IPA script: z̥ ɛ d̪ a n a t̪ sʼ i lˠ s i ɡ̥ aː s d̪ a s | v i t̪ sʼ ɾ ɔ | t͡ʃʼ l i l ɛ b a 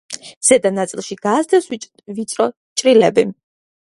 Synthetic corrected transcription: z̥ ɛ d̪ a n a t̪ sʼ i lˠ ʃ i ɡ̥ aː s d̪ ɛ s | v i t̪ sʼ ɾ ɔ | t͡ʃʼ ɾ i l ɛ b i